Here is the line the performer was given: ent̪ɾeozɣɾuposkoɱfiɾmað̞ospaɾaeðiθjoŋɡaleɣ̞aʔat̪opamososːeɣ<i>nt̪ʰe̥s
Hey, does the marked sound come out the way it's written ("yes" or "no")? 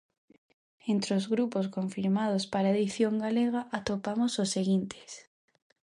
yes